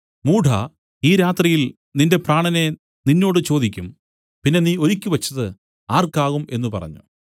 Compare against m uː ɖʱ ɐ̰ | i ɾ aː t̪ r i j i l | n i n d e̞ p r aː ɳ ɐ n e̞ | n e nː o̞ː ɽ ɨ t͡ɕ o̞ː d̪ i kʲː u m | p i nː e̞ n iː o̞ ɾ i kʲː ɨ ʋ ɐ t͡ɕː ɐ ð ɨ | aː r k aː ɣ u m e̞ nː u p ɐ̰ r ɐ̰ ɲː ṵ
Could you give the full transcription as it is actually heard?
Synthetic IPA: m uː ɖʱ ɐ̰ | iː ɾ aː t̪ r i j i l | n i n d e̞ p r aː ɳ ɐ n e̞ | n i nː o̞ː ɽ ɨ t͡ɕ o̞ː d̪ i kʲː u m | p i nː e̞ n iː o̞ ɾ i kʲː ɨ ʋ ɐ t͡ɕː ɐ ð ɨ | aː r k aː ɣ u m e̞ nː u p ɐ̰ r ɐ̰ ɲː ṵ